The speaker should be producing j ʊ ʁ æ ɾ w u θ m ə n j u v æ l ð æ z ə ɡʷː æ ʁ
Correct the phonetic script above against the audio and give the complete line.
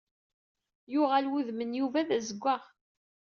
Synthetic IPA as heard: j ʊ ʁ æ l w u ð m ə n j u v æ ð æ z ə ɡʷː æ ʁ